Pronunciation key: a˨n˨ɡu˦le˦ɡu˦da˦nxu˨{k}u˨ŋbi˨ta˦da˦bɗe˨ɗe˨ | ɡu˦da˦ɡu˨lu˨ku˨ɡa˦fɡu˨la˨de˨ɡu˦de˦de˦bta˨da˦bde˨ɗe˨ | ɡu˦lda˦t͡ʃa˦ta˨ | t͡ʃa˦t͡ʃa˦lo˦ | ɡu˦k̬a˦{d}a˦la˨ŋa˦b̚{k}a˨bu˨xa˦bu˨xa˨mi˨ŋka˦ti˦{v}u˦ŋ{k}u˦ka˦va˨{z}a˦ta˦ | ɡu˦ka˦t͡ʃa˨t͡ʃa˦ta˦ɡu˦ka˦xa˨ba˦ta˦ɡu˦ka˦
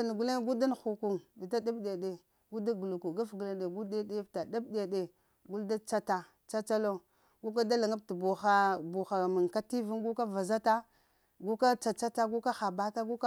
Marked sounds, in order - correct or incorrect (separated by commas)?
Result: correct, correct, incorrect, correct, incorrect, correct